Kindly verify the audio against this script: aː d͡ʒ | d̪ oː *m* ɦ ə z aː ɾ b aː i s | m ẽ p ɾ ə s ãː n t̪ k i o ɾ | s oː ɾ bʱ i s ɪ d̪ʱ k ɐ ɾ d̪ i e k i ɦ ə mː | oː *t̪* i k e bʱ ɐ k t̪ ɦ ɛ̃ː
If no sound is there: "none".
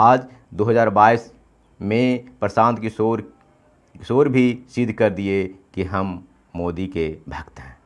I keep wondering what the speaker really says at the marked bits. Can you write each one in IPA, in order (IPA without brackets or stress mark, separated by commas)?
none, d̪